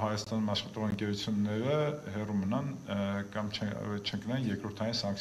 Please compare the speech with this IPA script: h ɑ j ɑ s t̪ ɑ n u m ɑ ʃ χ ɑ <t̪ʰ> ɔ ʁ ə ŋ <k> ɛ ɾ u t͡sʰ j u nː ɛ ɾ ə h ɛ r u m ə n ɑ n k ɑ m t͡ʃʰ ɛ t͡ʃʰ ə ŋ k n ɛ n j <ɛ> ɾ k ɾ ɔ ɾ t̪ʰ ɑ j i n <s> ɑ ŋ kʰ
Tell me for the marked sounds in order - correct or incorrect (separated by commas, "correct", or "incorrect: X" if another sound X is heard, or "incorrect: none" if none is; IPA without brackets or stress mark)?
incorrect: t̪, correct, correct, correct